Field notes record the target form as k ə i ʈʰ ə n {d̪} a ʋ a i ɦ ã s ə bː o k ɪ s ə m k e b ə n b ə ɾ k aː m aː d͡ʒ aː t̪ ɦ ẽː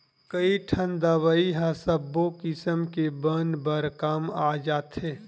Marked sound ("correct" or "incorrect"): correct